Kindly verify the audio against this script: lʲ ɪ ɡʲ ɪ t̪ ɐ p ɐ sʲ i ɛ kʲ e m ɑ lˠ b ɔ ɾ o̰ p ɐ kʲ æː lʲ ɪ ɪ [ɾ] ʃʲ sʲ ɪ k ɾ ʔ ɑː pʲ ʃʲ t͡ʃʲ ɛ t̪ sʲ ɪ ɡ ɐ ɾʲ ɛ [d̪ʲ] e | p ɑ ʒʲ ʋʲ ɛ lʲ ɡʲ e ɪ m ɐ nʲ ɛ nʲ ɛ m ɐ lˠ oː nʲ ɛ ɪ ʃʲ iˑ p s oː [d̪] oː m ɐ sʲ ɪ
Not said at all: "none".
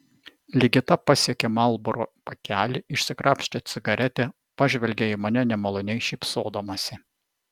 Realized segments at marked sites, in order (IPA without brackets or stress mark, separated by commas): none, t̪ʲ, d̪